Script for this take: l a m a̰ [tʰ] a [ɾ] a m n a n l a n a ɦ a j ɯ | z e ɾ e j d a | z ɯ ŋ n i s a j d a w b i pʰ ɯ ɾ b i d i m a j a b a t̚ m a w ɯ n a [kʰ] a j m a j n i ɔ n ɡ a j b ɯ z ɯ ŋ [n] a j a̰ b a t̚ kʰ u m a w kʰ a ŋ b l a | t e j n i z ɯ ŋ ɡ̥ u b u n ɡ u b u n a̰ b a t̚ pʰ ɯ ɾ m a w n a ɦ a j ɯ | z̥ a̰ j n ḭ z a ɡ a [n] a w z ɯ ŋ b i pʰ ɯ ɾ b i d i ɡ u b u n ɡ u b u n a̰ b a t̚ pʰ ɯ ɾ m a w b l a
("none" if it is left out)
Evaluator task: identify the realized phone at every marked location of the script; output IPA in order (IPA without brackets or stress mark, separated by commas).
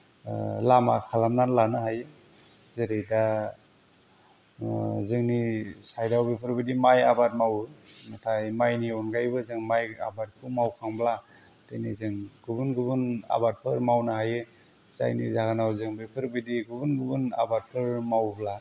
kʰ, l, tʰ, m, n